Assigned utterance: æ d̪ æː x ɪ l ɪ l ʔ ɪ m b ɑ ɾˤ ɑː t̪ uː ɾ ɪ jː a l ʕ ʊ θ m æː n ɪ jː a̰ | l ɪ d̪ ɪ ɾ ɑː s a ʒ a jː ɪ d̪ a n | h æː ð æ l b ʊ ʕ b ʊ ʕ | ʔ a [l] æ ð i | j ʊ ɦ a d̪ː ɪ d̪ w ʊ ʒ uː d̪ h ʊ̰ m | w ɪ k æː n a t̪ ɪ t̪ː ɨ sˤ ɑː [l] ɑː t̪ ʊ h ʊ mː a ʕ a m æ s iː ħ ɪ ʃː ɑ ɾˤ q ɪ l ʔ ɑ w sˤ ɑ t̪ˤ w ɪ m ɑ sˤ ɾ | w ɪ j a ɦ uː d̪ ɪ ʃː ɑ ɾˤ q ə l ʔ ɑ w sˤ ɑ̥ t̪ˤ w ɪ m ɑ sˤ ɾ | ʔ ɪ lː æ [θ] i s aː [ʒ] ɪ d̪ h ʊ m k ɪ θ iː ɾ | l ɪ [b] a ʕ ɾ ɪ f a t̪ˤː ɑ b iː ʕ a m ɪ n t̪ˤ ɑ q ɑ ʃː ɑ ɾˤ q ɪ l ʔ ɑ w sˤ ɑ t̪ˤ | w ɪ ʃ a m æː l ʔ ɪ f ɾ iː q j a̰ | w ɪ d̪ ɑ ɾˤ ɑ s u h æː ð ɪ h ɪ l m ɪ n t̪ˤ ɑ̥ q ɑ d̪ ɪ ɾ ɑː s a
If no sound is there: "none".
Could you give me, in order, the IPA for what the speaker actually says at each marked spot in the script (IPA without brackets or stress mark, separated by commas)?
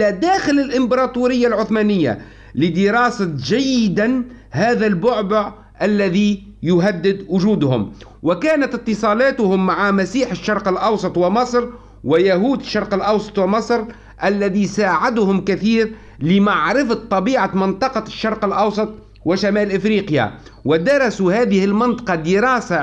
lː, l, ð, ʕ, m